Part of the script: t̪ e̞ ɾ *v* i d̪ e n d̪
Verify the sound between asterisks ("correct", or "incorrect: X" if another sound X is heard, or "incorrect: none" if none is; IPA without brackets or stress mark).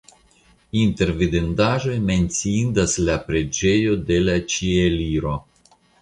correct